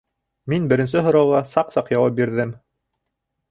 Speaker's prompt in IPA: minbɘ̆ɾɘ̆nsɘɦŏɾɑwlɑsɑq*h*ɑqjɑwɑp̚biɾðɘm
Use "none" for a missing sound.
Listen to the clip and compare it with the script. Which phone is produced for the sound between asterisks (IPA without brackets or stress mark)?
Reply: s